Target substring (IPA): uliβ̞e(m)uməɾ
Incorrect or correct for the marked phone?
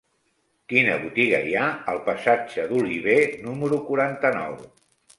incorrect: n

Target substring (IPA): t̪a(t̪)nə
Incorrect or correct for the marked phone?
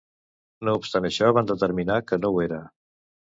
incorrect: none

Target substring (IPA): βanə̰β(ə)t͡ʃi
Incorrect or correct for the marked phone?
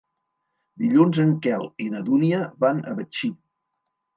correct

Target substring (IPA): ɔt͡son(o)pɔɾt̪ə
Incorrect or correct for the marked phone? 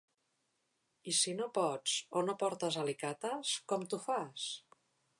correct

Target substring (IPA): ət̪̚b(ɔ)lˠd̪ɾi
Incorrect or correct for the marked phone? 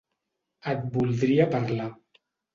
incorrect: u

